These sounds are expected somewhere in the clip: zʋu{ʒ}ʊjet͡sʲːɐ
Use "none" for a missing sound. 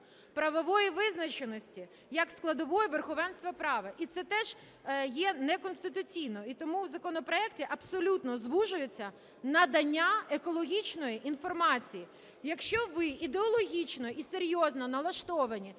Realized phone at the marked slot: ʒ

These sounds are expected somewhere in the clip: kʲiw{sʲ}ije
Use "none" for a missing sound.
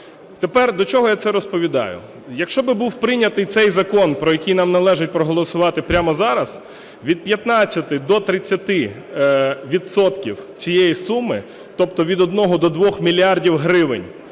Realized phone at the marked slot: t͡sʲ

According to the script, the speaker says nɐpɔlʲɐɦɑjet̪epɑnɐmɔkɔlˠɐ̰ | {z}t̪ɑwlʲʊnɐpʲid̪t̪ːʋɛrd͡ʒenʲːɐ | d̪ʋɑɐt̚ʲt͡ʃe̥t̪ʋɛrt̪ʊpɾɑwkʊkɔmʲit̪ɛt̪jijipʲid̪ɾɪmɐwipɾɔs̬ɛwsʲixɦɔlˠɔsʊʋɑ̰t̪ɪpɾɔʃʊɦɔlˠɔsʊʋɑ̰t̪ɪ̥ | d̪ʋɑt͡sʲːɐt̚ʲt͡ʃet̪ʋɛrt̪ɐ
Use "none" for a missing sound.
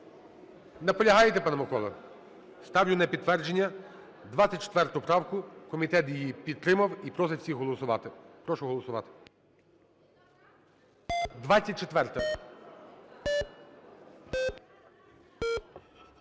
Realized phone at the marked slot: s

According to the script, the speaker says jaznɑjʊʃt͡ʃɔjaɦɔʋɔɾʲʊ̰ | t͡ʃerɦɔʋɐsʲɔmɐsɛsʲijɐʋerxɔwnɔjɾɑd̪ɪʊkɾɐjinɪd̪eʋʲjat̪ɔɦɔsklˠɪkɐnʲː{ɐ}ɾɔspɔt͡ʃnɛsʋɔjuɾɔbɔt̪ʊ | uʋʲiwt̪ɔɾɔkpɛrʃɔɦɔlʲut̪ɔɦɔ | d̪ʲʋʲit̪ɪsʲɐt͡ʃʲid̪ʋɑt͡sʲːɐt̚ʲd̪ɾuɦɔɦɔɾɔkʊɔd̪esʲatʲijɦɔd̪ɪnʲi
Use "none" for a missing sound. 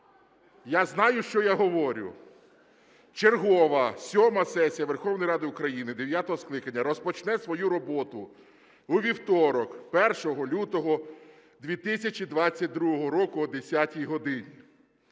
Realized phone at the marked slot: ɐ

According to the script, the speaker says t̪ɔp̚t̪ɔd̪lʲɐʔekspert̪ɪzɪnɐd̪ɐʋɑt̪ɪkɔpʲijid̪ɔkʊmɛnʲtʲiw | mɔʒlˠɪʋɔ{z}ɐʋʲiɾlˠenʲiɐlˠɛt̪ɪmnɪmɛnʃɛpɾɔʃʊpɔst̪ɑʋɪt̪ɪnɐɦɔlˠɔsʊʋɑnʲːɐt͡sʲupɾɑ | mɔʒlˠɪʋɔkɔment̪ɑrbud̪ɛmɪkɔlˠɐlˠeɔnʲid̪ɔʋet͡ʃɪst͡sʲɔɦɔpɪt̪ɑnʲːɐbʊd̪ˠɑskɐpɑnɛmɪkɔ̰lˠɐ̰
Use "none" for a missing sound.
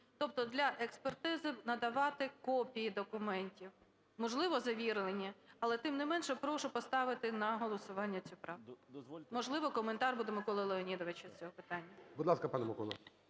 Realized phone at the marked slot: z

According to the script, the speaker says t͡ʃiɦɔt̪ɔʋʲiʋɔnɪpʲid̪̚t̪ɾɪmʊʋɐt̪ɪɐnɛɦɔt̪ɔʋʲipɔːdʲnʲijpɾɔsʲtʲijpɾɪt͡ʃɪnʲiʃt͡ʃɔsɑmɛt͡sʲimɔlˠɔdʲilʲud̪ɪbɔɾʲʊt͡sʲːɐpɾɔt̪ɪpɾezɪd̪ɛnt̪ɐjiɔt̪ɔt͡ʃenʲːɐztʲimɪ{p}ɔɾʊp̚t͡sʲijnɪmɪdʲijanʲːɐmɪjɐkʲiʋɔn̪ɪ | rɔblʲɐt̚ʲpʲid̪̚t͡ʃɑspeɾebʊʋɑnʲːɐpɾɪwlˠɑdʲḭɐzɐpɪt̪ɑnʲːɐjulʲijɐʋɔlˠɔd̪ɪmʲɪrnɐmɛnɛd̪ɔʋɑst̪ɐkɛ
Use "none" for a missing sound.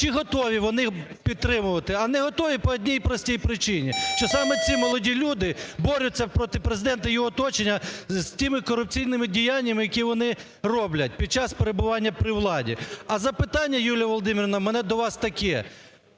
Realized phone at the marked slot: k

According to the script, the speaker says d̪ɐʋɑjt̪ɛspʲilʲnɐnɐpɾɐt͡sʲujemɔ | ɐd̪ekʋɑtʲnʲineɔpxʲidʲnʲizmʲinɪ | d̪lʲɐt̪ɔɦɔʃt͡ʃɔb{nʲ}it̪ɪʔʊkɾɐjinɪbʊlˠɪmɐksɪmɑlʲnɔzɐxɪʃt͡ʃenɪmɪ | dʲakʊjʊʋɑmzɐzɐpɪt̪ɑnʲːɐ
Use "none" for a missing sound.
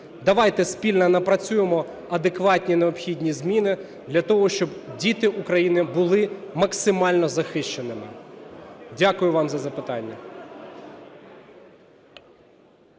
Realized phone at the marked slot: dʲ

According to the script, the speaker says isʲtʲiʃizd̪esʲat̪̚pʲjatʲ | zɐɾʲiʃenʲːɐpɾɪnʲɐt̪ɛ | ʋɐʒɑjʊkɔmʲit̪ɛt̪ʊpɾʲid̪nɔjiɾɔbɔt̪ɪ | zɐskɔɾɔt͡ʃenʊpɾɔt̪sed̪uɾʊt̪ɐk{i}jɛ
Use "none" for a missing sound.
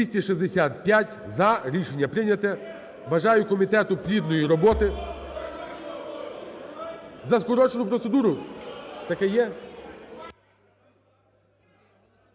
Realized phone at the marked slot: ɛ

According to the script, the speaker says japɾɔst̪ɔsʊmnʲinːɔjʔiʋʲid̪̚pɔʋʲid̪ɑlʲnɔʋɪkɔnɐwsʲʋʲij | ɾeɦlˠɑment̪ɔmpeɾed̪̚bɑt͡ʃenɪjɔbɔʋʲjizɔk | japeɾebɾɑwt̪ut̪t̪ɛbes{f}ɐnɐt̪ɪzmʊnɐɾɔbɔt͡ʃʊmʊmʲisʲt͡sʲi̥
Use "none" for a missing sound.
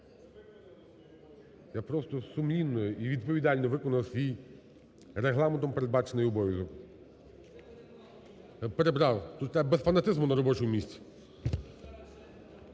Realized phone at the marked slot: f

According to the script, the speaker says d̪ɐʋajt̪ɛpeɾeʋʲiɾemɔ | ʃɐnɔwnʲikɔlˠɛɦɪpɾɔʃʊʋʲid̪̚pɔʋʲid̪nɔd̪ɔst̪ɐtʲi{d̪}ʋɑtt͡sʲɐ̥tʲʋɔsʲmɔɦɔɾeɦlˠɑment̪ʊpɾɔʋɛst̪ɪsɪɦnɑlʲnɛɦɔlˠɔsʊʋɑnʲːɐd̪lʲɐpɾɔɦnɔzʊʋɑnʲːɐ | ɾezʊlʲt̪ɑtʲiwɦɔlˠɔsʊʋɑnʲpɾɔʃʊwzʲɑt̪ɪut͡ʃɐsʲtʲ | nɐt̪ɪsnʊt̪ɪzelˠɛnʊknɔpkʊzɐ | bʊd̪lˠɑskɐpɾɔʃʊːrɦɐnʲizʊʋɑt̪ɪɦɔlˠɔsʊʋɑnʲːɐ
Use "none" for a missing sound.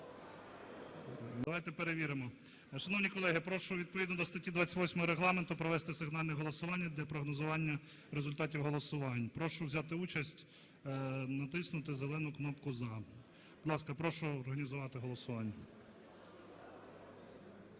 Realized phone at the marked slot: d̪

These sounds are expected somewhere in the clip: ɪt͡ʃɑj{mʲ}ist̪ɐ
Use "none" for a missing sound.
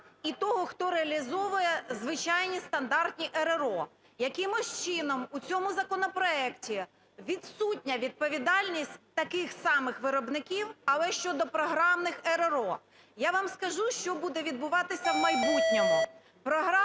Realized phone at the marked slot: nʲ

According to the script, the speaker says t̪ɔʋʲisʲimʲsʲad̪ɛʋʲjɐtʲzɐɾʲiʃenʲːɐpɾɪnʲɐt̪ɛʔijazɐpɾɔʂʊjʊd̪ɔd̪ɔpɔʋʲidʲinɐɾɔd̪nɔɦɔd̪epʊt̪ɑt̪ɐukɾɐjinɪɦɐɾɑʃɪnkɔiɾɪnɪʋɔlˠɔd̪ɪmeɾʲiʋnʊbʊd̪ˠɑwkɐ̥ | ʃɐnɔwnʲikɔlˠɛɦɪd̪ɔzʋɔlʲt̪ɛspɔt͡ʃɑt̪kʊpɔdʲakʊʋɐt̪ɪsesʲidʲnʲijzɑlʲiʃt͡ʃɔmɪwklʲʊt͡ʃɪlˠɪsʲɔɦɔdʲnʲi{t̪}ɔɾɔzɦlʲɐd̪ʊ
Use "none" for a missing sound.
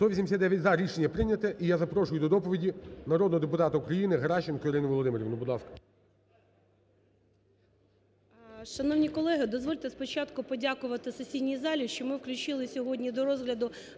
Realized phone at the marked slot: d̪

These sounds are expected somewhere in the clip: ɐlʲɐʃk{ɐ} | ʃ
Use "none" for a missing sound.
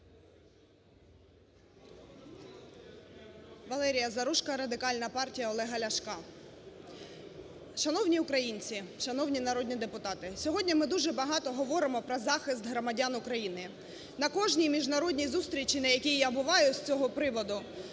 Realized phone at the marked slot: ɑ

